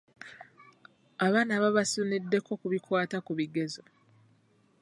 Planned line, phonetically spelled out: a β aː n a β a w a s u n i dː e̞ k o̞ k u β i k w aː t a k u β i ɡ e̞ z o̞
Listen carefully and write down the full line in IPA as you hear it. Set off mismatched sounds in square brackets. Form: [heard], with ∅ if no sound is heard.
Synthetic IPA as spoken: a β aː n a β a [β] a s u n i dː e̞ k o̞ k u β i k w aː t a k u β i ɡ e̞ z o̞